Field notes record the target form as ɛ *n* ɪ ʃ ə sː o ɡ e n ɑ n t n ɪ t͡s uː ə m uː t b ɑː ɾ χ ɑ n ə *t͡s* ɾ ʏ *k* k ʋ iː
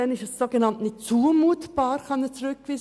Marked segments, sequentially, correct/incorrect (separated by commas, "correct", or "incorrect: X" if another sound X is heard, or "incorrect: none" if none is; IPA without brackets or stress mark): correct, correct, correct